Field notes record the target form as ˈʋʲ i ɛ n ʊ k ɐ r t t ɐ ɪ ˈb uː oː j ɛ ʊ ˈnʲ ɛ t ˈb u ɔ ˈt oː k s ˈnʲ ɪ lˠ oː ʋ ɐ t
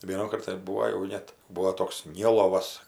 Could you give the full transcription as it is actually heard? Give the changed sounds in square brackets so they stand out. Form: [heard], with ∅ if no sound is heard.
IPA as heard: ˈʋʲ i ɛ n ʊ k ɐ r t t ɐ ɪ ˈb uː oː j ɛ ʊ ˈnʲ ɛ t ˈb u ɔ ˈt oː k s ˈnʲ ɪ lˠ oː ʋ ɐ [s]

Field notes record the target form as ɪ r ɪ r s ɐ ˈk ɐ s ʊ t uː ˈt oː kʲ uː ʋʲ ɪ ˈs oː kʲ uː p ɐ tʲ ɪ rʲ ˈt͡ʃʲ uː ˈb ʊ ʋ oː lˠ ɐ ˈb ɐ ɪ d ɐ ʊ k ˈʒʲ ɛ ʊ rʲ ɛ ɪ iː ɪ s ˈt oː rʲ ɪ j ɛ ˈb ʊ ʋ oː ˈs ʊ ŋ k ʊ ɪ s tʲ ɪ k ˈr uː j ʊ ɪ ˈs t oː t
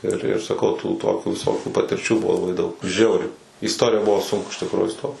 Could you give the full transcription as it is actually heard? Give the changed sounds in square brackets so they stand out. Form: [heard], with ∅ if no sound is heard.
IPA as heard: ɪ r ɪ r s ɐ ˈk ɐ [∅] ʊ t uː ˈt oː kʲ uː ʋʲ ɪ ˈs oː kʲ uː p ɐ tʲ ɪ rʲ ˈt͡ʃʲ uː ˈb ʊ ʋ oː lˠ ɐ ˈb ɐ ɪ d ɐ ʊ k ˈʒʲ ɛ ʊ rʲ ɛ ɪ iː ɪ s ˈt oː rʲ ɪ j ɛ ˈb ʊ ʋ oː ˈs ʊ ŋ k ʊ ɪ [ʃ] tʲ ɪ k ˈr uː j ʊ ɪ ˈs t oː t

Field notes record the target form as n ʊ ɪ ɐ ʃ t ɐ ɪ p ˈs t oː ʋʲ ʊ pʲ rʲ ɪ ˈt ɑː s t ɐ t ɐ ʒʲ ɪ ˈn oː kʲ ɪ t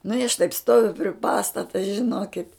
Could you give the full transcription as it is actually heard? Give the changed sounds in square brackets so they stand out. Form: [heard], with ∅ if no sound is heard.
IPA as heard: n ʊ ɪ ɐ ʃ t ɐ ɪ p ˈs t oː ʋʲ ʊ pʲ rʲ ɪ [ˈp] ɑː s t ɐ t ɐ ʒʲ ɪ ˈn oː kʲ ɪ t

